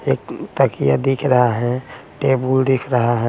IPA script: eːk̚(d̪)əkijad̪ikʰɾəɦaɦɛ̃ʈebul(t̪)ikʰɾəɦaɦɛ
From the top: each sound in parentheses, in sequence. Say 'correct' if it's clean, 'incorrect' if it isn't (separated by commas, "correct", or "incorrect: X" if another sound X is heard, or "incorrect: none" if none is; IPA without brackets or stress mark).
incorrect: t̪, incorrect: d̪